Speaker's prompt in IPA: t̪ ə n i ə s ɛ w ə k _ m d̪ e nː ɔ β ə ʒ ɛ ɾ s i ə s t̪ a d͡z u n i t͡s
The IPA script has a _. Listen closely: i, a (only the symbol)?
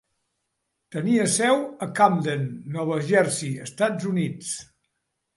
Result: a